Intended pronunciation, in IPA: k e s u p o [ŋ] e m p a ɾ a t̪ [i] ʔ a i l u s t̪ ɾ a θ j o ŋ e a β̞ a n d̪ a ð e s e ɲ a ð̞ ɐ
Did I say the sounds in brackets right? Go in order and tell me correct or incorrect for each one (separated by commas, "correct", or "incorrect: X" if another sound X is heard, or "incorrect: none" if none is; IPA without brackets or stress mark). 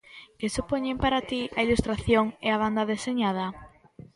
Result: incorrect: ɲ, correct